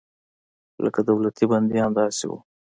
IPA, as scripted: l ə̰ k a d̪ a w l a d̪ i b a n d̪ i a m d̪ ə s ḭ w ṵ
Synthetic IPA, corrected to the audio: l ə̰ k a d̪ a w l a t̪ i b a n d̪ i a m d̪ ɑ s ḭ w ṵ